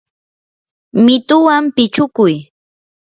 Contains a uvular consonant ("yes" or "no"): no